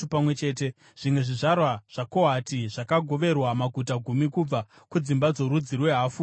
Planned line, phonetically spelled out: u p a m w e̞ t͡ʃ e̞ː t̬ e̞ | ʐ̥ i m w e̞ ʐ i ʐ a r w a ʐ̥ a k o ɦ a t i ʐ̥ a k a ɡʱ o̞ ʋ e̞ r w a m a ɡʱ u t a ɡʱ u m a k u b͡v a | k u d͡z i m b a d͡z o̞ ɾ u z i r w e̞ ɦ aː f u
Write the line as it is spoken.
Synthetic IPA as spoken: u p a m w e̞ t͡ʃ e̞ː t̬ e̞ | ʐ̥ i m w e̞ ʐ i ʐ a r w a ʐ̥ a k o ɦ a t i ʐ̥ a k a ɡʱ o̞ ʋ e̞ r w a m a ɡʱ u t a ɡʱ u m i k u b͡v a | k u d͡z i m b a d͡z o̞ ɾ u d͡z i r w e̞ ɦ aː f u